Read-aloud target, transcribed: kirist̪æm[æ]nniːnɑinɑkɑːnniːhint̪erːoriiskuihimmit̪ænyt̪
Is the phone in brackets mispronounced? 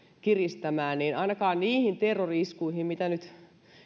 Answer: yes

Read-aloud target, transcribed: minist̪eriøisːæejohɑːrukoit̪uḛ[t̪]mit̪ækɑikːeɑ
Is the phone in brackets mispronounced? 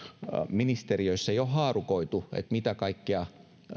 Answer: no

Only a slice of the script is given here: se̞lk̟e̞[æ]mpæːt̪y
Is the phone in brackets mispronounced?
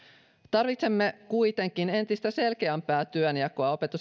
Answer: no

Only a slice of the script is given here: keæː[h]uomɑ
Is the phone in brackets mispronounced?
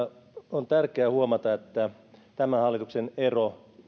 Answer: no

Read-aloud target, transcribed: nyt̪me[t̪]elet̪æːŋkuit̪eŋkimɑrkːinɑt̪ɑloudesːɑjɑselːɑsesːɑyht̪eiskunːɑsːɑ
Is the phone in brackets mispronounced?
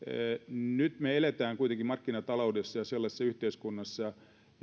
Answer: yes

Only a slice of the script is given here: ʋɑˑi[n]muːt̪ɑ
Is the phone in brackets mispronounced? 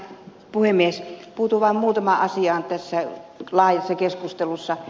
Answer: yes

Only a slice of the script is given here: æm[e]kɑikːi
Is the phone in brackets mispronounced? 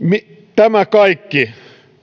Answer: yes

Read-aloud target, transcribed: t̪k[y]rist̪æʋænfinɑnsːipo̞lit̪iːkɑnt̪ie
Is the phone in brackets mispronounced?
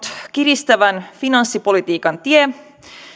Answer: yes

